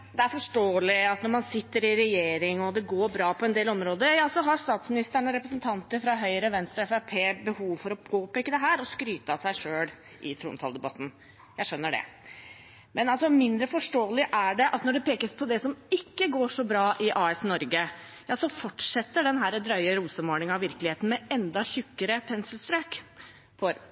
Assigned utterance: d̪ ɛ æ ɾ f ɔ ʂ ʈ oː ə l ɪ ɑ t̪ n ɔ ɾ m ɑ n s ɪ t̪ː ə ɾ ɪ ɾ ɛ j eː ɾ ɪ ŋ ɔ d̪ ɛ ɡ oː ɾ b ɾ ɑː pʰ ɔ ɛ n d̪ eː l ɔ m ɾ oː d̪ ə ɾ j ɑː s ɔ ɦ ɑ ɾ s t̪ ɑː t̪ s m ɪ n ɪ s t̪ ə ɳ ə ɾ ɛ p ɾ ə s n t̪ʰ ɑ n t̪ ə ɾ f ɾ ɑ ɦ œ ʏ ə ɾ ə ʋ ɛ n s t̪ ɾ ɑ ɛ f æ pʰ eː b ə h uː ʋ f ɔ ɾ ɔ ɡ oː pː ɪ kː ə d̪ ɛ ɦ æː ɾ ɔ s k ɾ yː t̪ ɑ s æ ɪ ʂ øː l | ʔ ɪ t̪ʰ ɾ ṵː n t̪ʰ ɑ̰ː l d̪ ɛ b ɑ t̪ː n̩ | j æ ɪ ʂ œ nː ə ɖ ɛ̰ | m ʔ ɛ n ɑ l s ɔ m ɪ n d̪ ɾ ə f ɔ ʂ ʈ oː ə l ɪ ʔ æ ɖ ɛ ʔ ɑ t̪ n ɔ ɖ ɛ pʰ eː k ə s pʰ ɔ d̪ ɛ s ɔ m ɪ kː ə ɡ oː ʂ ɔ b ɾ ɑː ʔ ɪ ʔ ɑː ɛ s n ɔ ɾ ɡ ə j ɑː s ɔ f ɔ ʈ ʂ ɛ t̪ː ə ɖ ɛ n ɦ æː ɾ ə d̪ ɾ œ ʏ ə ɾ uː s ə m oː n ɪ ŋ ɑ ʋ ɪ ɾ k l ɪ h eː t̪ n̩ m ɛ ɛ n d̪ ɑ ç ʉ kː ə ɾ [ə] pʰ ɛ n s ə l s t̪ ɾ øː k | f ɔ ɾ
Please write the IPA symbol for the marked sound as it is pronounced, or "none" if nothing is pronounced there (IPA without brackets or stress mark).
ə